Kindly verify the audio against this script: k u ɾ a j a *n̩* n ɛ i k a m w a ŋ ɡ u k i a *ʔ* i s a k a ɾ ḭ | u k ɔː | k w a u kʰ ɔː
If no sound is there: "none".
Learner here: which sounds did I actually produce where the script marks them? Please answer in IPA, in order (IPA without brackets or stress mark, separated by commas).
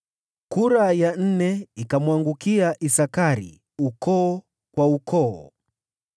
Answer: n̩, ʔ